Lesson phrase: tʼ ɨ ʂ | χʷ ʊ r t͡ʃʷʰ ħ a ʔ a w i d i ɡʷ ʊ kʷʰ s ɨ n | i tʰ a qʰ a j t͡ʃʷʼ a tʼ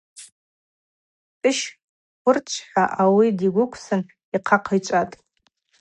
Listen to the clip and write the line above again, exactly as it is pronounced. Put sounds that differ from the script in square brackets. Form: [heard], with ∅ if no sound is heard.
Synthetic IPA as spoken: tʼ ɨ [ʃ] | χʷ ʊ r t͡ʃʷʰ ħ a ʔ a w i d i ɡʷ ʊ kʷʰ s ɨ n | i [qʰ] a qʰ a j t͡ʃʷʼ a tʼ